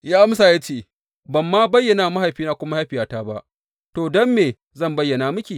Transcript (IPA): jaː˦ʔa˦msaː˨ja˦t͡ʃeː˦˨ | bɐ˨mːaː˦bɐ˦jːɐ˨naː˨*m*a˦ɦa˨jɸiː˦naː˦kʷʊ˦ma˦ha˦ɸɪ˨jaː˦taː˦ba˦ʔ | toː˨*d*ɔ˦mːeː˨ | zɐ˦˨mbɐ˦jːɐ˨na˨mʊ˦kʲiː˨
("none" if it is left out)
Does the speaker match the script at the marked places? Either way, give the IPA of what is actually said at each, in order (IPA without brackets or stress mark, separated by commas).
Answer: m, d